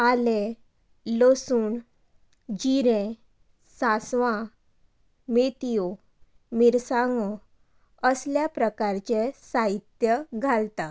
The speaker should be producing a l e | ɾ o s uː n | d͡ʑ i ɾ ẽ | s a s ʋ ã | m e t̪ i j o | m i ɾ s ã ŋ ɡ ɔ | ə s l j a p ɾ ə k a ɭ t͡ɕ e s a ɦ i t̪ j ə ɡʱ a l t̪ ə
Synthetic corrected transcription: a l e | l o s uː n | d͡ʑ i ɾ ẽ | s a s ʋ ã | m e t̪ i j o | m i ɾ s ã ŋ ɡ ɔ | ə s l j a p ɾ ə k a ɾ t͡ɕ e s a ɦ i t̪ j ə ɡʱ a l t̪ a